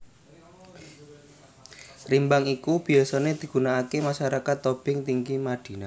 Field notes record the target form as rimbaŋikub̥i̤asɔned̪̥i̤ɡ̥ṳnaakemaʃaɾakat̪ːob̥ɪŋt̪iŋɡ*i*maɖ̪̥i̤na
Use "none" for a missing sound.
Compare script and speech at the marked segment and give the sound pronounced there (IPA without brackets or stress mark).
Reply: i